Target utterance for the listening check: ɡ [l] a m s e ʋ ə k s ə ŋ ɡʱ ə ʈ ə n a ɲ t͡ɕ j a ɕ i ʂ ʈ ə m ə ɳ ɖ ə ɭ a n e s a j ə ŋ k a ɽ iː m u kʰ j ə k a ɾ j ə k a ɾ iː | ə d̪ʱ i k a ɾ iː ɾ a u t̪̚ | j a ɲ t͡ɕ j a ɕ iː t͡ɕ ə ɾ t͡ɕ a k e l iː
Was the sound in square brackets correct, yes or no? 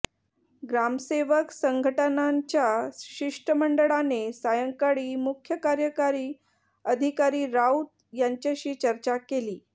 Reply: no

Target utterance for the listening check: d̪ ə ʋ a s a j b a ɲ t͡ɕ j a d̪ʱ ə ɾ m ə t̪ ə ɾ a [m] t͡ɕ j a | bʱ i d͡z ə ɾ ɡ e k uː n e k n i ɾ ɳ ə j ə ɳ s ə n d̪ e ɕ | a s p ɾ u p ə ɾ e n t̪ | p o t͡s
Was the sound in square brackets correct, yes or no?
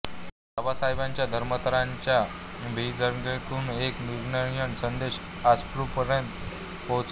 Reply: no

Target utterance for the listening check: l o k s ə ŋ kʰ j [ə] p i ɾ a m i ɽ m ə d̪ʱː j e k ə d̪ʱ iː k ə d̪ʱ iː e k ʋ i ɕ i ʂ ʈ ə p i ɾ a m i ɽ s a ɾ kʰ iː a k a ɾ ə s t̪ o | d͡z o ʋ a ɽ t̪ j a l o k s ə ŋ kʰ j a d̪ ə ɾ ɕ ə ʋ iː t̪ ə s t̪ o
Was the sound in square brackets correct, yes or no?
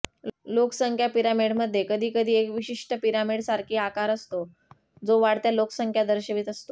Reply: no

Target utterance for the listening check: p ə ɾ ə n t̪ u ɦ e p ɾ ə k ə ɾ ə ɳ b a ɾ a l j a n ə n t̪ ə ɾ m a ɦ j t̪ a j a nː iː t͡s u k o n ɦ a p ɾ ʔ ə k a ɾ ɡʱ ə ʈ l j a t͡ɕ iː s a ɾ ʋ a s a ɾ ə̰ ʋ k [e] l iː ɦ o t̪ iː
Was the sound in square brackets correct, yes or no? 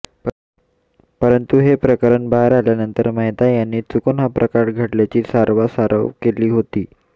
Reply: yes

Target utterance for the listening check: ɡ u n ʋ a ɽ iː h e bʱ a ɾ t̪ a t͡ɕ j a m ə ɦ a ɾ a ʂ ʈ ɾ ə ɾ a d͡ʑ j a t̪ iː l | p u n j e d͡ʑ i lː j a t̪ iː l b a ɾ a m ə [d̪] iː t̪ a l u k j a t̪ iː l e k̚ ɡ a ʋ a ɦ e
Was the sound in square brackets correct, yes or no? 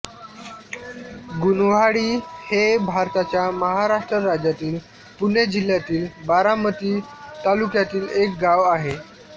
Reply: no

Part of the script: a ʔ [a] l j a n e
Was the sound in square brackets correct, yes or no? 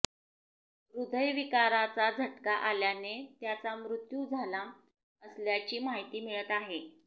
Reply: yes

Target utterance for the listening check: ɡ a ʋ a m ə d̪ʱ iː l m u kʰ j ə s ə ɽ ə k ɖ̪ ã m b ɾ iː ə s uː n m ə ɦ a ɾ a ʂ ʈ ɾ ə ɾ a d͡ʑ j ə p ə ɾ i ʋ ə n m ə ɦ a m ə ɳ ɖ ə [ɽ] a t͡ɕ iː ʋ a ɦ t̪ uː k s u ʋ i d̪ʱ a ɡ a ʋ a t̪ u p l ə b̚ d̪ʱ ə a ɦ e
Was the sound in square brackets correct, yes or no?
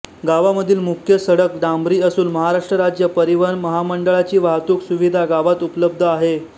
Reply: no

